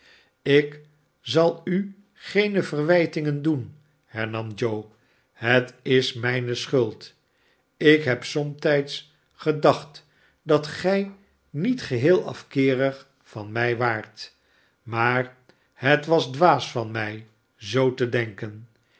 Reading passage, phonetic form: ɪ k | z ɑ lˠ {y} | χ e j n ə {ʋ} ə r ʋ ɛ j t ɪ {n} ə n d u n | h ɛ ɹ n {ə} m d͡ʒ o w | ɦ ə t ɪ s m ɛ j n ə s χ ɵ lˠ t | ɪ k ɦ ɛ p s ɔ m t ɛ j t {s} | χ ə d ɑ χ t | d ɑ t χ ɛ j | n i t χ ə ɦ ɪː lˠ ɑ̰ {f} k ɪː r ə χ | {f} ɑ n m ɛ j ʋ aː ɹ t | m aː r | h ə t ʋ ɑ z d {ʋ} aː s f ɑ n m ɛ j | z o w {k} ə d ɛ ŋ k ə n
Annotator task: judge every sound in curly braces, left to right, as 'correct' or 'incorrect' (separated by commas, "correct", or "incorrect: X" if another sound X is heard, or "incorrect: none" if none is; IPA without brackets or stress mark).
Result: correct, incorrect: v, incorrect: ŋ, incorrect: ɑ, correct, correct, correct, correct, incorrect: t